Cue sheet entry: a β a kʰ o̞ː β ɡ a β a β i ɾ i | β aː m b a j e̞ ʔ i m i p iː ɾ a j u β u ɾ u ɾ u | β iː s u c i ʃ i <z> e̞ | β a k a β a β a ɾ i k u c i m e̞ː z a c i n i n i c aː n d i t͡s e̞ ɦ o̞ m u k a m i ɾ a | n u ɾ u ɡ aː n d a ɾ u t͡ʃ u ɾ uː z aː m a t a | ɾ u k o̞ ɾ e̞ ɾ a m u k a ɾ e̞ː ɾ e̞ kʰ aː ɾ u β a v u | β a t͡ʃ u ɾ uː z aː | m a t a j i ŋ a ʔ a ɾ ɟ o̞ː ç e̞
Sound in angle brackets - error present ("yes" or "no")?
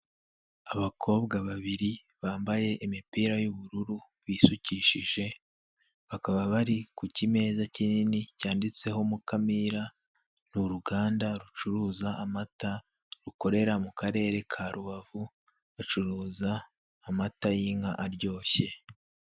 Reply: yes